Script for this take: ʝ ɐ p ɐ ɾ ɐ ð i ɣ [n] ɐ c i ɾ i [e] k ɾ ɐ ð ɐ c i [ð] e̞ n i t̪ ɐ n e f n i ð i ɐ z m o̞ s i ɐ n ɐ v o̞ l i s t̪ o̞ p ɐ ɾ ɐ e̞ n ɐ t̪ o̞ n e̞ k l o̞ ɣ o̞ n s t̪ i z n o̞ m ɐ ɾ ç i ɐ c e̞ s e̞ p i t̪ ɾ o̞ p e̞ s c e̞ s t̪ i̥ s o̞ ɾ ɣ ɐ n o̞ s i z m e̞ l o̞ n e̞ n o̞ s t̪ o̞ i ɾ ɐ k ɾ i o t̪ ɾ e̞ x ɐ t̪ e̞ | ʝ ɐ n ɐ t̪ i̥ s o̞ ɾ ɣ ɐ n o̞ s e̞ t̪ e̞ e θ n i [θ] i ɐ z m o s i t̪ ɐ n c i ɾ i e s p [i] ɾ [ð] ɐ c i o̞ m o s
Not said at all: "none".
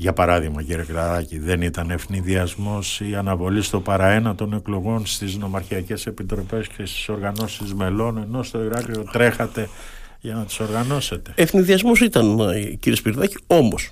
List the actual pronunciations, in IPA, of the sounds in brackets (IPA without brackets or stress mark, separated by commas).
m, e, ð, ð, i, ð